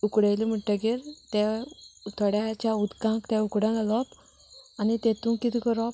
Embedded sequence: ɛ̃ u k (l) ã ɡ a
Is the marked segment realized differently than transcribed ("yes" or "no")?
yes